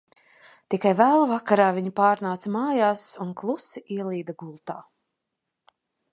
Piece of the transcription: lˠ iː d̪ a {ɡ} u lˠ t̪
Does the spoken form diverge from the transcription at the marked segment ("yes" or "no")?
no